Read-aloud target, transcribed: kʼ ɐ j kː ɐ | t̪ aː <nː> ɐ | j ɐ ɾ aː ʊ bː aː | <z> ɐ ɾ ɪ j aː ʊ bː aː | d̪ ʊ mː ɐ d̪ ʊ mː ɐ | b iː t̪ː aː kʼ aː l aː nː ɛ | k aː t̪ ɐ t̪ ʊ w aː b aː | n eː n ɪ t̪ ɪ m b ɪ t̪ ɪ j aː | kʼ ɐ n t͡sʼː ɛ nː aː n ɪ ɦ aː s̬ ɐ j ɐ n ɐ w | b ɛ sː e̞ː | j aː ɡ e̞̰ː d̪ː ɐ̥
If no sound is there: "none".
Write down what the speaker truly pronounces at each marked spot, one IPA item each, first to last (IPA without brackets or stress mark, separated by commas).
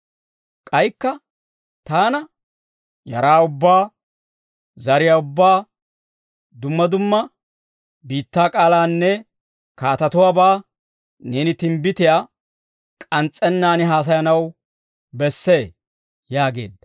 n, z